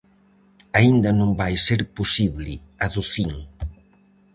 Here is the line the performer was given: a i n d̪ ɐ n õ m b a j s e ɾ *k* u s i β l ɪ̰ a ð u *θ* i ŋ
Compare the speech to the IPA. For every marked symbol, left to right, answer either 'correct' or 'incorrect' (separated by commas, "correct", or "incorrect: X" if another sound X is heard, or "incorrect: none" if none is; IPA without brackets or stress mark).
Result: incorrect: p, correct